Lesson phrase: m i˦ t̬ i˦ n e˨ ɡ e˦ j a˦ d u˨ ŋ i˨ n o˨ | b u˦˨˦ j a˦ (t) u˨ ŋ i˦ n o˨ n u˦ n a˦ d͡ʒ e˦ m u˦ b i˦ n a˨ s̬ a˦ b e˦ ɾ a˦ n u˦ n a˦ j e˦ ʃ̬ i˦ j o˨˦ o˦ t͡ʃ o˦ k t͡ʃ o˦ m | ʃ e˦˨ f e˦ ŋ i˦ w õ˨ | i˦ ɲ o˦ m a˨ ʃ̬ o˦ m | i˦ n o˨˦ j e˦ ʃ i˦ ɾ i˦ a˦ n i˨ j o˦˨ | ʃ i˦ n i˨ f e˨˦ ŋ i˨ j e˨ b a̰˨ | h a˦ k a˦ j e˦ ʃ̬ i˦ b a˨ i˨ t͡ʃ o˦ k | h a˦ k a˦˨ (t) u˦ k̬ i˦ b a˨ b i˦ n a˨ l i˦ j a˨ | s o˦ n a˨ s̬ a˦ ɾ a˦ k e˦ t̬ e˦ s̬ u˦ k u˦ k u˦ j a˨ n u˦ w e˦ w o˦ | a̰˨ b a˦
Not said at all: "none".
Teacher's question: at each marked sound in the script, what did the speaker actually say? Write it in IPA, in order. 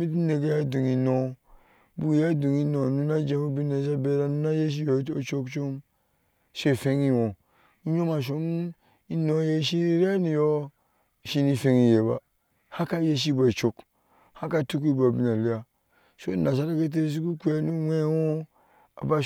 d, t

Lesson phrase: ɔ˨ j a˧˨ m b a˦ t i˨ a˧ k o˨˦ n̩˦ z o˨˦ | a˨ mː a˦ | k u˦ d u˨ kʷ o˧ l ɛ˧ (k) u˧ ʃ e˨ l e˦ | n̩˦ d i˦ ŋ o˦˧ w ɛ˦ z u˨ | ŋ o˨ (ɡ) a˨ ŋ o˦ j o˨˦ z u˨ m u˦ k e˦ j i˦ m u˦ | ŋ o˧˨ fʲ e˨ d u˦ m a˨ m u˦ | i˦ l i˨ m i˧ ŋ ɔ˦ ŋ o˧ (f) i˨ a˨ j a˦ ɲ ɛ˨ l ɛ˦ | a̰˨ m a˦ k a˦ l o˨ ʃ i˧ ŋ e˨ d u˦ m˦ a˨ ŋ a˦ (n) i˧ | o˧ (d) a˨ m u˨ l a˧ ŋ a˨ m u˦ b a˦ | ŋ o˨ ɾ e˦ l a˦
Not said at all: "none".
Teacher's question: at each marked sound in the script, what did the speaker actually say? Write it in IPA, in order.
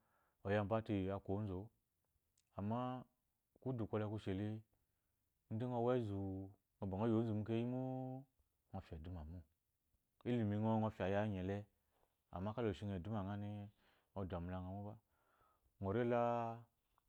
k, b, f, n, d

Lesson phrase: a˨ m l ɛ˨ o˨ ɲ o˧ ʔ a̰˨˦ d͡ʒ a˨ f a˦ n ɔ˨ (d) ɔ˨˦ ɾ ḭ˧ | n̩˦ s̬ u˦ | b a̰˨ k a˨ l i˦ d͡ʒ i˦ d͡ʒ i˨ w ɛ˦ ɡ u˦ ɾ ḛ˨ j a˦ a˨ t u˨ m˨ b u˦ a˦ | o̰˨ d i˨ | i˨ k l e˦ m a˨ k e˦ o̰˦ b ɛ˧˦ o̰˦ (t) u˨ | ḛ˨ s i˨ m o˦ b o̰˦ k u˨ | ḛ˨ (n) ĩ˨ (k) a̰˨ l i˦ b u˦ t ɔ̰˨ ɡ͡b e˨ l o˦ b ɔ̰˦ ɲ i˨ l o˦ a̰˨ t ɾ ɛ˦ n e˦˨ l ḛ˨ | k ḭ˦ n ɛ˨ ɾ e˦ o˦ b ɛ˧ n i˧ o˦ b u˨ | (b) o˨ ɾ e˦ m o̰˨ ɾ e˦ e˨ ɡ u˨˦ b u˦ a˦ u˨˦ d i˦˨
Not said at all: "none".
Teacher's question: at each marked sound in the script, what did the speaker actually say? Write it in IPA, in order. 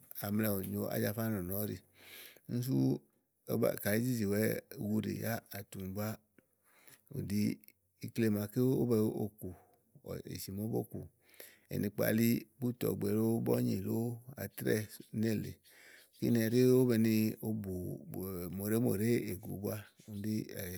n, k, n, k͡p, m

